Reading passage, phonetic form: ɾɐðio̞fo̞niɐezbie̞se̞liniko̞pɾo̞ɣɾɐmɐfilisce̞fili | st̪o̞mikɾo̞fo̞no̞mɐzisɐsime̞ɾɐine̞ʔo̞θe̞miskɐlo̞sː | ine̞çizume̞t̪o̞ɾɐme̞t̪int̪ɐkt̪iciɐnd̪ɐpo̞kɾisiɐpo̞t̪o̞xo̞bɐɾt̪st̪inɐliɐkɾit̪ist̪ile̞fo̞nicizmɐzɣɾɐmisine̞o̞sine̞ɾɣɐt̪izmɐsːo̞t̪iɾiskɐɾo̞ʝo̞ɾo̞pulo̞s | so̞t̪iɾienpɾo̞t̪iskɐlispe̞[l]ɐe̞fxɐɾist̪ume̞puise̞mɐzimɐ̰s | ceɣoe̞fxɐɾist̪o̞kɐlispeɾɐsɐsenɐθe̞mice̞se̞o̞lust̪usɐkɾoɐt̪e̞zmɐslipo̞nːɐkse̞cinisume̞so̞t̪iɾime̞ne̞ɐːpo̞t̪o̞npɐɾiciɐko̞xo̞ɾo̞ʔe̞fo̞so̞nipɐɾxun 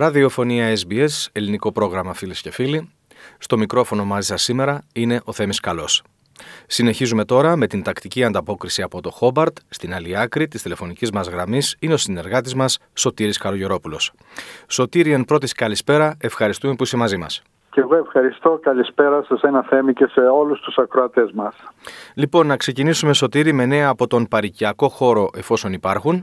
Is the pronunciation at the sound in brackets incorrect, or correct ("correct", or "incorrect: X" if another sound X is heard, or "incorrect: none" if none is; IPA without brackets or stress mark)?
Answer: incorrect: ɾ